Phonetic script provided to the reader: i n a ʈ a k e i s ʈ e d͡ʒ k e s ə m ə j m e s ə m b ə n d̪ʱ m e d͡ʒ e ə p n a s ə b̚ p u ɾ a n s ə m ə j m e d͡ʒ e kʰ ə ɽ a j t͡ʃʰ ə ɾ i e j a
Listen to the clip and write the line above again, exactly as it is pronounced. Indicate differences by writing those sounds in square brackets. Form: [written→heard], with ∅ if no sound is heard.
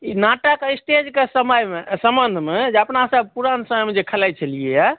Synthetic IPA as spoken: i n a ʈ a k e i s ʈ e d͡ʒ k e s ə m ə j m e s ə m b ə n d̪ʱ m e d͡ʒ e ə p n a s ə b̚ p u ɾ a n s ə m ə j m e d͡ʒ e kʰ ə [ɽ→l] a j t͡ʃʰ ə [ɾ→l] i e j a